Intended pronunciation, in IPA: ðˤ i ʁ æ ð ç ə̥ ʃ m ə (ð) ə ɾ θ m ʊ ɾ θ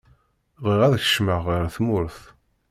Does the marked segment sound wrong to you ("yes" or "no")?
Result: yes